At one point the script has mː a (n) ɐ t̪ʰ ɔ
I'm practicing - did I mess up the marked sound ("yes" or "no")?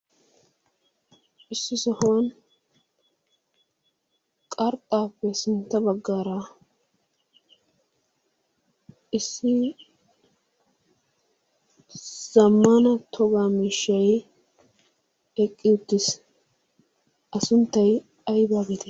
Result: no